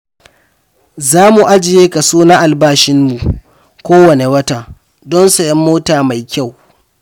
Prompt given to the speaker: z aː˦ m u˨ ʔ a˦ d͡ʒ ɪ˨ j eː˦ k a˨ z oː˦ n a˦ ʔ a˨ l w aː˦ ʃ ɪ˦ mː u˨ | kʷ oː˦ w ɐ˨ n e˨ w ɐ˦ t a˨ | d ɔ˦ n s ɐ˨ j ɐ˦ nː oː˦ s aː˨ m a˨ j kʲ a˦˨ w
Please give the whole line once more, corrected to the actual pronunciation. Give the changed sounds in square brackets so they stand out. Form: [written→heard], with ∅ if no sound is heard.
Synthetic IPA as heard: z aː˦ m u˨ ʔ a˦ d͡ʒ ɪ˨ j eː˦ k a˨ [z→s] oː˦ n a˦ ʔ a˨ l [w→b] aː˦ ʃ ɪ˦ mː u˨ | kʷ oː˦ w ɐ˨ n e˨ w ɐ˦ t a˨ | d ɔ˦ n s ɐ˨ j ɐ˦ [nː→mː] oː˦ [s→t] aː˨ m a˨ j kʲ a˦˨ w